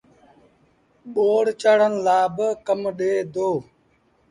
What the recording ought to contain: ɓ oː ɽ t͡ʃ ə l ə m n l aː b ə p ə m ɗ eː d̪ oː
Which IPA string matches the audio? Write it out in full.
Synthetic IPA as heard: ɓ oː ɽ t͡ʃ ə ɽ ə n l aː b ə k ə m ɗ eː d̪ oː

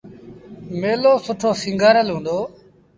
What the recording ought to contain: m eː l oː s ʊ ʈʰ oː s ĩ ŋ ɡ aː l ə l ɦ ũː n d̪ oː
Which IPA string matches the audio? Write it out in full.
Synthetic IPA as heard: m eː l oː s ʊ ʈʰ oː s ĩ ŋ ɡ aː ɾ ə l ɦ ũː n d̪ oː

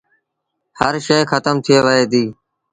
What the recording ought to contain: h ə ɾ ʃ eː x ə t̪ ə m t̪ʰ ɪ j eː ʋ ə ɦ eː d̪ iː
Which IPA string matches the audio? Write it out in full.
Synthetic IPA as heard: h ə ɾ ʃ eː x ə t̪ ə m t̪ʰ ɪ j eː ʋ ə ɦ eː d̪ iː

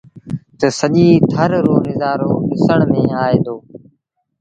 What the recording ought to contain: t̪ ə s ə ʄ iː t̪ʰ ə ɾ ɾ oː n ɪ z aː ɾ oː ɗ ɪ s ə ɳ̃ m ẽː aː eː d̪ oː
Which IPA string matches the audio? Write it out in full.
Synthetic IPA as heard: t̪ ə s ə ʄ iː t̪ʰ ə ɾ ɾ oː n ɪ z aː ɾ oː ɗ ɪ s ə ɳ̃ m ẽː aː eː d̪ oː

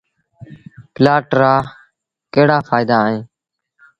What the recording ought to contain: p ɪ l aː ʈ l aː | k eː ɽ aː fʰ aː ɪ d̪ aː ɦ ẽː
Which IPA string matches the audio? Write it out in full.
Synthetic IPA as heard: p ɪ l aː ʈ ɾ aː | k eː ɽ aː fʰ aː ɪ d̪ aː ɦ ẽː

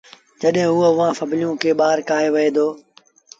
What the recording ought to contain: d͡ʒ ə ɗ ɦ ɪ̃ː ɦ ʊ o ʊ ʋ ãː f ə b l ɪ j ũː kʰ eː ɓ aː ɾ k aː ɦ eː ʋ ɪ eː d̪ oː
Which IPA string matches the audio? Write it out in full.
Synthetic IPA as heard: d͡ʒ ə ɗ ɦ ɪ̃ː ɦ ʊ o ʊ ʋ ãː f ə b l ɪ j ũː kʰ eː ɓ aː ɾ k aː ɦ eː ʋ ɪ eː d̪ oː

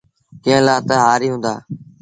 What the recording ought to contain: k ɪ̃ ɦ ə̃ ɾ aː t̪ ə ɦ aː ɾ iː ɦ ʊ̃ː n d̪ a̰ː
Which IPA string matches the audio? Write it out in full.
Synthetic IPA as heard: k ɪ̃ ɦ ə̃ l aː t̪ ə ɦ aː ɾ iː ɦ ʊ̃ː n d̪ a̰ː

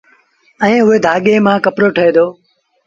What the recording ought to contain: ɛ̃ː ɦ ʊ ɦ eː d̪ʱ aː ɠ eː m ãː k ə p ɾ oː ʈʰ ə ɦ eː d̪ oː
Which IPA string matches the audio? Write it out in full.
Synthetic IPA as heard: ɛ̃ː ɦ ʊ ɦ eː d̪ʱ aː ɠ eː m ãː k ə p ɾ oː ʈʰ ə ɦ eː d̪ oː

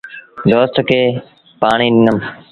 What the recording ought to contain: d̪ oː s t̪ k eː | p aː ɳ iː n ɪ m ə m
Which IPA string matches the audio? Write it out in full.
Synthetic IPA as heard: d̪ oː s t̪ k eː | p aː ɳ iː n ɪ n ə m

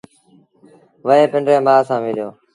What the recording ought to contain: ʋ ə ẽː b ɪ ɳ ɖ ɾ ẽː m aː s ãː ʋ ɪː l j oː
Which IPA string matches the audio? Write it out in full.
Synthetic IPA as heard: ʋ ə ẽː p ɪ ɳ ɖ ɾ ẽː m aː s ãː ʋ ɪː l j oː

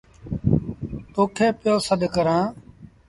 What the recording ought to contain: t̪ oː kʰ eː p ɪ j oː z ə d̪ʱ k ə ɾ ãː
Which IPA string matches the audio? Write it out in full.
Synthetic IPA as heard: t̪ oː kʰ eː p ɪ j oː s ə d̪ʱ k ə ɾ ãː

